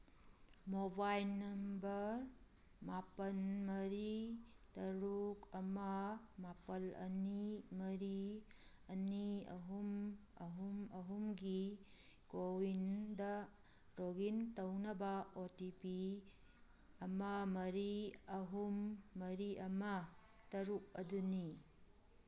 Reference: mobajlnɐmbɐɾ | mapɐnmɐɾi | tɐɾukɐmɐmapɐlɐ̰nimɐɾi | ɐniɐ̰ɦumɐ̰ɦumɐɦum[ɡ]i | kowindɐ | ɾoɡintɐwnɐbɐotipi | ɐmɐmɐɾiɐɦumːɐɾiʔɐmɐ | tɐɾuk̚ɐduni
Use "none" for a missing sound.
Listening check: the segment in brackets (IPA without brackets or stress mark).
ɡ